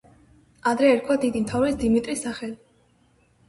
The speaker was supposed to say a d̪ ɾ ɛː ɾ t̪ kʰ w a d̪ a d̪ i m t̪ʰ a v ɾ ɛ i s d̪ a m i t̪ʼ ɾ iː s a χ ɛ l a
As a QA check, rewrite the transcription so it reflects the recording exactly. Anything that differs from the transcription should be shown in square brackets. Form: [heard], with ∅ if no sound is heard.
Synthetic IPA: a d̪ ɾ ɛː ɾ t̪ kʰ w a d̪ [i] d̪ i m t̪ʰ a v ɾ ɛ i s d̪ [i] m i t̪ʼ ɾ [i] s a χ ɛ l [i]